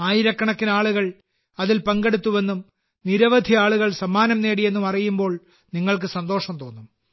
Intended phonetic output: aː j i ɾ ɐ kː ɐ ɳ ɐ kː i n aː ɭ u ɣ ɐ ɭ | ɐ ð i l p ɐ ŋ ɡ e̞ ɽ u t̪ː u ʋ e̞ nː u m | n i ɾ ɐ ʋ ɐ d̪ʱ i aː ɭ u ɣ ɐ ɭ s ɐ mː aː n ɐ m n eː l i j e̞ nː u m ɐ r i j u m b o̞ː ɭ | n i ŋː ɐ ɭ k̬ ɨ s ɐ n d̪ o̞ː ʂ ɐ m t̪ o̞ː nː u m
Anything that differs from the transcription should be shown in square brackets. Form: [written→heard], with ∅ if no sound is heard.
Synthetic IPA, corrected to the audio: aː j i ɾ ɐ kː ɐ ɳ ɐ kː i n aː ɭ u ɣ ɐ ɭ | ɐ ð i l p ɐ ŋ ɡ e̞ ɽ u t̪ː u ʋ e̞ nː u m | n i ɾ ɐ ʋ ɐ d̪ʱ i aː ɭ u ɣ ɐ ɭ s ɐ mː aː n ɐ m n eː [l→ɽ] i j e̞ nː u m ɐ r i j u m b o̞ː ɭ | n i ŋː ɐ ɭ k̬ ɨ s ɐ n d̪ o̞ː ʂ ɐ m t̪ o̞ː nː u m